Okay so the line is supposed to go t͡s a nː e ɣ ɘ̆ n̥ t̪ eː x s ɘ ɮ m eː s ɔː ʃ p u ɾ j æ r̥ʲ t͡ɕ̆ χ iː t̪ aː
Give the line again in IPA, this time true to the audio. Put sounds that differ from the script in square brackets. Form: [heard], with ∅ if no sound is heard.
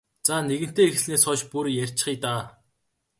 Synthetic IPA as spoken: t͡s a [n] e ɣ ɘ̆ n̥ t̪ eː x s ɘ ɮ [n] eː s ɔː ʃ p u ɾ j æ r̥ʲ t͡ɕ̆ χ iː t̪ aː